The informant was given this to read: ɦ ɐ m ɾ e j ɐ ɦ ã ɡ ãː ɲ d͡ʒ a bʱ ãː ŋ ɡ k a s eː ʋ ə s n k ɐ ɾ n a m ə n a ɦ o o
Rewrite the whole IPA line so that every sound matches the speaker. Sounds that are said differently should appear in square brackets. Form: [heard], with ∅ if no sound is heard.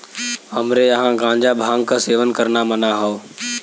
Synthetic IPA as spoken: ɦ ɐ m ɾ e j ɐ ɦ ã ɡ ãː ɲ d͡ʒ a bʱ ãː ŋ ɡ k a s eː ʋ ə [∅] n k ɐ ɾ n a m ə n a ɦ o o

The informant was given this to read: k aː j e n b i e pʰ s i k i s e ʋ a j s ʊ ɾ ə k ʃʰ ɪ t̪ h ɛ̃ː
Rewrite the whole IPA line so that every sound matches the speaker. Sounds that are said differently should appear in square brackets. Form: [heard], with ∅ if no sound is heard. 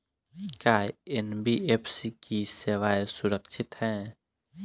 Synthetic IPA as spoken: k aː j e n b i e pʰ s i k i s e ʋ a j s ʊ ɾ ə k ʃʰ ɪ t̪ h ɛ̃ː

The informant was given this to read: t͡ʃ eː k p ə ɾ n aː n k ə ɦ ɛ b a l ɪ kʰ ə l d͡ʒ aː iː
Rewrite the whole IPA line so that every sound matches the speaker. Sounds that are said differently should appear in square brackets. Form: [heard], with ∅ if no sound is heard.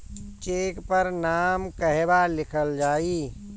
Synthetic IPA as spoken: t͡ʃ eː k p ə ɾ n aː [m] k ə ɦ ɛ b a l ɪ kʰ ə l d͡ʒ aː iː

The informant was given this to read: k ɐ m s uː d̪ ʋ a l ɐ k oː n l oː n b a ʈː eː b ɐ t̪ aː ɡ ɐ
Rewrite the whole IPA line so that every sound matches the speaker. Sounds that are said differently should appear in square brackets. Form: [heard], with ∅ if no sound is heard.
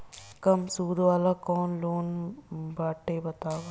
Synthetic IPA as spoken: k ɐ m s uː d̪ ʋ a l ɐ k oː n l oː n b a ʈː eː b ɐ t̪ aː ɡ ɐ

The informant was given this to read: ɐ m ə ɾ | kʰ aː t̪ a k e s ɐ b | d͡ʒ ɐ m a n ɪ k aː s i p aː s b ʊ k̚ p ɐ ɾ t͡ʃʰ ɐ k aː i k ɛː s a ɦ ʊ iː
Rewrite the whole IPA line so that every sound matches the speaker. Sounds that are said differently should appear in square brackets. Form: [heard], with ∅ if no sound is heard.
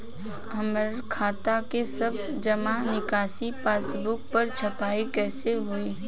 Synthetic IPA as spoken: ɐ m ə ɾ | kʰ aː t̪ a k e s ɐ b | d͡ʒ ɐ m a n ɪ k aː s i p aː s b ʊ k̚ p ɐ ɾ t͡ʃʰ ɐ [p] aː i k ɛː s [e] ɦ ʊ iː

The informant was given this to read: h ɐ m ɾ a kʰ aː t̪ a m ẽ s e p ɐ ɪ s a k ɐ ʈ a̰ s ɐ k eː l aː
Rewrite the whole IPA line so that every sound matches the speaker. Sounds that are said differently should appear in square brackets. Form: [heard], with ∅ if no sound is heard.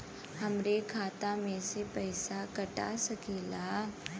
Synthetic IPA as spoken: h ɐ m ɾ [e] kʰ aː t̪ a m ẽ s e p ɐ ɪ s a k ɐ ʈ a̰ s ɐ k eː l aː

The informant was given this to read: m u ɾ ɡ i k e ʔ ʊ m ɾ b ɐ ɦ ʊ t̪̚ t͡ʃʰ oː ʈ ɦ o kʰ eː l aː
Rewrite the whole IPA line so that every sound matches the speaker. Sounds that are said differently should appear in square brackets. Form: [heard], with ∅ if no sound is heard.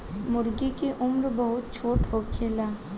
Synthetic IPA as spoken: m [ʊ] ɾ ɡ i k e ʔ ʊ m ɾ b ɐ ɦ ʊ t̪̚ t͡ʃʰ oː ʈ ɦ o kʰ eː l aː

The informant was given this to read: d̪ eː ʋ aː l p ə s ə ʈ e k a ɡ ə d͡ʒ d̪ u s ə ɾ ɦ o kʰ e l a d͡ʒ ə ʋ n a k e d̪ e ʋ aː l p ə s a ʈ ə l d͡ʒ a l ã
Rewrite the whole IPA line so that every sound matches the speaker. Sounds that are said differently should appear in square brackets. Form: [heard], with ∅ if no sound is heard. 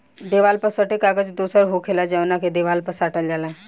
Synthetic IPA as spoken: d̪ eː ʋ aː l p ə s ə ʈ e k a ɡ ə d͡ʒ d̪ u s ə ɾ ɦ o kʰ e l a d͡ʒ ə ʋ n a k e d̪ e ʋ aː l p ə s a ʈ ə l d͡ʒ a l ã

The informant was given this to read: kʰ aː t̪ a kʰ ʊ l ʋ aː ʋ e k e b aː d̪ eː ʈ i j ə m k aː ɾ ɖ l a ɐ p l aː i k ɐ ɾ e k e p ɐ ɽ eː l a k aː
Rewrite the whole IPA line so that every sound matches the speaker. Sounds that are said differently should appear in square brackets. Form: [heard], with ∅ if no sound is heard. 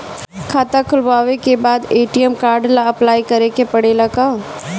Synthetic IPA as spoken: kʰ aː t̪ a kʰ ʊ l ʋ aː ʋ e k e b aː d̪ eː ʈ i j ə m k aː ɾ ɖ l a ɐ p l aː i k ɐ ɾ e k e p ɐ ɽ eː l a k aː

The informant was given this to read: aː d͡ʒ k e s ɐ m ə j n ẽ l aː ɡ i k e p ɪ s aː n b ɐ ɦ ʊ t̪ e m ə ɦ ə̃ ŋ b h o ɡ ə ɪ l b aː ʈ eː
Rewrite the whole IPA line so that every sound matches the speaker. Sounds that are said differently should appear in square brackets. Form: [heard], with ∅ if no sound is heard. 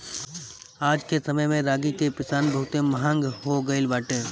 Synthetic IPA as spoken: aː d͡ʒ k e s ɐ m ə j [m] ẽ [ɾ] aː ɡ i k e p ɪ s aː n b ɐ ɦ ʊ t̪ e m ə ɦ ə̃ ŋ [ɡ] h o ɡ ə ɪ l b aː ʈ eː

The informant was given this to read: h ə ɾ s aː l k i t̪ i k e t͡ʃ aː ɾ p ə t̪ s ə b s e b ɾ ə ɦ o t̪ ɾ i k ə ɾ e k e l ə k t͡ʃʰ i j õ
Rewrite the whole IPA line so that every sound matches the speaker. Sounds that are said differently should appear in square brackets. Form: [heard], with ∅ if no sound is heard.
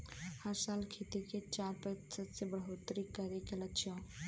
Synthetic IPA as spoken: h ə ɾ s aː l [kʰ] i t̪ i k e t͡ʃ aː ɾ p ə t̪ s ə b s e b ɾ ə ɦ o t̪ ɾ i k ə ɾ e k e l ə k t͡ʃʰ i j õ

